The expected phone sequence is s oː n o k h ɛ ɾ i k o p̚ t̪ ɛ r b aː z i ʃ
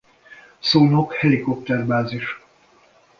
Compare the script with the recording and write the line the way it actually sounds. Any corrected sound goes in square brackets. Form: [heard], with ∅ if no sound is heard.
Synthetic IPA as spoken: s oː n o k h ɛ [l] i k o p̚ t̪ ɛ r b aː z i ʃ